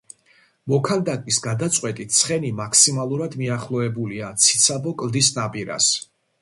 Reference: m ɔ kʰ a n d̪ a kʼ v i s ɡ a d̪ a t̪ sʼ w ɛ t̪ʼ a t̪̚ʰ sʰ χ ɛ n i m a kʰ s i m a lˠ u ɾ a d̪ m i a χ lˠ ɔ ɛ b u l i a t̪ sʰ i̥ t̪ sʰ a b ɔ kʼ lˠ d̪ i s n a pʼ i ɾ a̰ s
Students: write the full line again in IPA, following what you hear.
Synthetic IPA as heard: m ɔ kʰ a n d̪ a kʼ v i s ɡ a d̪ a t̪ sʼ w ɛ t̪ʼ i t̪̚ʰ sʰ χ ɛ n i m a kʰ s i m a lˠ u ɾ a d̪ m i a χ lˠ ɔ ɛ b u l i a t̪ sʰ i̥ t̪ sʰ a b ɔ kʼ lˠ d̪ i s n a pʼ i ɾ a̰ s